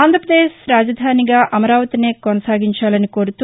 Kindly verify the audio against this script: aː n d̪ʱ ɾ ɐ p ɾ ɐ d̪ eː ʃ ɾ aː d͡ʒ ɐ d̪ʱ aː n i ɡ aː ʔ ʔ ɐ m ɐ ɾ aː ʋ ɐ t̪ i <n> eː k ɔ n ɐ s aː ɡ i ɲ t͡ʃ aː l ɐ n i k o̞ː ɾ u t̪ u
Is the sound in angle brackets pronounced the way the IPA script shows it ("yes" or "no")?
yes